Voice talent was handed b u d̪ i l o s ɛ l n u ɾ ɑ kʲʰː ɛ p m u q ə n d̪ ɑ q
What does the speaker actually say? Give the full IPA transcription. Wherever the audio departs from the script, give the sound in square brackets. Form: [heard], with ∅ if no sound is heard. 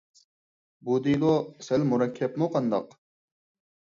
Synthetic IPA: b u d̪ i l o s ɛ l [m] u ɾ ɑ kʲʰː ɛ p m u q [ɑ] n d̪ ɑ q

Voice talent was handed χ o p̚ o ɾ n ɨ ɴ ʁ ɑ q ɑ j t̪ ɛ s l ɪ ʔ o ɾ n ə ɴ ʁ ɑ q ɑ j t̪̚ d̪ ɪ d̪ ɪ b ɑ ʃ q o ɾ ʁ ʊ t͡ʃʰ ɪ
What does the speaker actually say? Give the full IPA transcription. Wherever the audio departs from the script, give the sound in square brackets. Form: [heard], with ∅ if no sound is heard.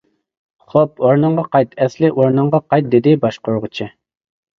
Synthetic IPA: χ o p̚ o ɾ n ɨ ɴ ʁ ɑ q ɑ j t̪ ɛ s l ɪ ʔ o ɾ n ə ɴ ʁ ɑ q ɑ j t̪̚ d̪ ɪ d̪ ɪ b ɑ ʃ q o ɾ ʁ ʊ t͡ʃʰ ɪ

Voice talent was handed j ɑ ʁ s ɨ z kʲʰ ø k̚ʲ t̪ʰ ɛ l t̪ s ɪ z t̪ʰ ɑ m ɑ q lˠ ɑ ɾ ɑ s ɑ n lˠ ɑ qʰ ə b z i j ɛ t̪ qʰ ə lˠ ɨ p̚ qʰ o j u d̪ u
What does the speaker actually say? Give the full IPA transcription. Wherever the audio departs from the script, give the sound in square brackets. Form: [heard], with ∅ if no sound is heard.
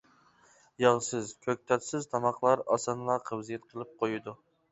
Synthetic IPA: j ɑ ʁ s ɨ z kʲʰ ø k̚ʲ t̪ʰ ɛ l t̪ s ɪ z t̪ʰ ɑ m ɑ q lˠ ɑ ɾ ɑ s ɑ n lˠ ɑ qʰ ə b z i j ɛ t̪ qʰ ə lˠ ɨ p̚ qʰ o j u d̪ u

